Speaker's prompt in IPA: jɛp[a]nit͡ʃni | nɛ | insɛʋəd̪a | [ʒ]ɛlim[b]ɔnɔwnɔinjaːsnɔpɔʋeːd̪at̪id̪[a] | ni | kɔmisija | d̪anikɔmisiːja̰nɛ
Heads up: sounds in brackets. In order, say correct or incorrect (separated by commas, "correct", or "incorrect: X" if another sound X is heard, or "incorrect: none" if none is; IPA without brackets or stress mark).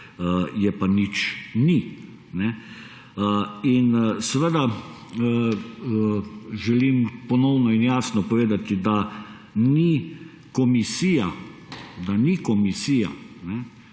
correct, correct, incorrect: p, correct